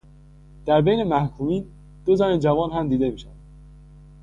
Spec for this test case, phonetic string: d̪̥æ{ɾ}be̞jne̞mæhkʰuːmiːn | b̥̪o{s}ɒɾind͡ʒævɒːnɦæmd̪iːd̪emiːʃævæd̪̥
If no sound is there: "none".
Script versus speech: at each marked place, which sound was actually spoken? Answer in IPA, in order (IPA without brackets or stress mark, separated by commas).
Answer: ɾ, z